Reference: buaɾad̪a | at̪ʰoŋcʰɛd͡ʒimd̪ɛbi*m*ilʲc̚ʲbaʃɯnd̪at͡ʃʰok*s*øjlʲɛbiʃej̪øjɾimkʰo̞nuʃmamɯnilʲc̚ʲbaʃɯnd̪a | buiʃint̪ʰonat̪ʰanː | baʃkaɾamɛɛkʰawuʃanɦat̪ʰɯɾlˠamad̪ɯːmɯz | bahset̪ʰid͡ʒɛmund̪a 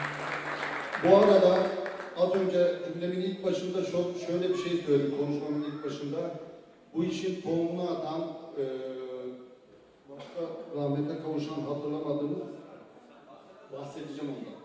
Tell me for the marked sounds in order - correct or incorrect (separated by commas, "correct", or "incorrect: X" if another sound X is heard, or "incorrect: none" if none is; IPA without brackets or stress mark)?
incorrect: n, incorrect: ʃ